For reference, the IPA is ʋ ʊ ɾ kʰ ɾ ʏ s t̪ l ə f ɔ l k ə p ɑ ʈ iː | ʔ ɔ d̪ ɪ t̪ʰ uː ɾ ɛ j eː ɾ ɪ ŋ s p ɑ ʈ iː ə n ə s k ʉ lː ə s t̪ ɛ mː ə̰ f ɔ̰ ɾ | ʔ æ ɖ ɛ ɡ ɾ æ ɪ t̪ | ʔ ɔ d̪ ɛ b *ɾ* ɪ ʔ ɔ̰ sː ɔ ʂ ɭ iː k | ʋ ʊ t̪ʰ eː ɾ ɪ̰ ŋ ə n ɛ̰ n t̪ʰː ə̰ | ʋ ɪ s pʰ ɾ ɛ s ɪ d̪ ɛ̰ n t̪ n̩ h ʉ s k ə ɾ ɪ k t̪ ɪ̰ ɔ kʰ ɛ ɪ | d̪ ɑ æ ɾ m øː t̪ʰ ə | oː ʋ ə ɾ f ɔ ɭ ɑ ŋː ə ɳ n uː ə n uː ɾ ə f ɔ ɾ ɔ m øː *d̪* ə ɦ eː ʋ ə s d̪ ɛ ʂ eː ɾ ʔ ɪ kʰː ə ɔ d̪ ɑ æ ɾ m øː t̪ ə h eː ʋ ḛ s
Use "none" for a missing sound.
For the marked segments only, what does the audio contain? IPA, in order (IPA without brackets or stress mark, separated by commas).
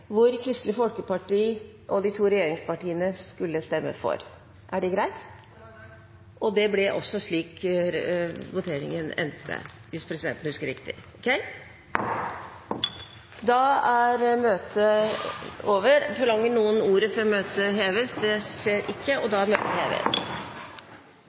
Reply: l, t̪